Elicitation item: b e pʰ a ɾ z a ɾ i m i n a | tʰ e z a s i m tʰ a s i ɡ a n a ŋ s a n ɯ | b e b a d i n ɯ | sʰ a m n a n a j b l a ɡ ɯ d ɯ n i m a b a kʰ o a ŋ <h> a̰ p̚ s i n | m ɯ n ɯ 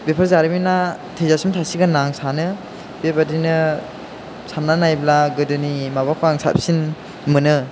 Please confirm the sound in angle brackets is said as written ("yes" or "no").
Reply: no